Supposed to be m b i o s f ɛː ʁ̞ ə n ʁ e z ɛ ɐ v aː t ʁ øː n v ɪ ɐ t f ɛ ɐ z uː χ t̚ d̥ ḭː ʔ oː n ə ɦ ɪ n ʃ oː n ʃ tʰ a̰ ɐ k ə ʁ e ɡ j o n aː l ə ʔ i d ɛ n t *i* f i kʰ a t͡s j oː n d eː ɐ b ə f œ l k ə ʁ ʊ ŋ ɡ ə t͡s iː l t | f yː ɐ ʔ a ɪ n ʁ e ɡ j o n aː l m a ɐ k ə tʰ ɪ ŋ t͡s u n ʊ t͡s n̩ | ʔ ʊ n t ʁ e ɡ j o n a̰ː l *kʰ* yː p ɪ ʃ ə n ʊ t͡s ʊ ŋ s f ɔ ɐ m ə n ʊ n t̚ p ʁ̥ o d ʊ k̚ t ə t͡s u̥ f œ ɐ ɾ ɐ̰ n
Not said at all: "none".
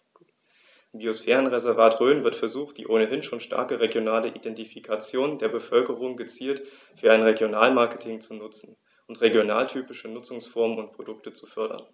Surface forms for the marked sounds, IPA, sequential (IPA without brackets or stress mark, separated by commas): i, tʰ